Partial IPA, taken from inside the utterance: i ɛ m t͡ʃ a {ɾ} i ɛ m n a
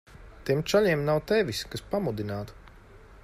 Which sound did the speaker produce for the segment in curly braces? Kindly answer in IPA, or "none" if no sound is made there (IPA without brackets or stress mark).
ʎ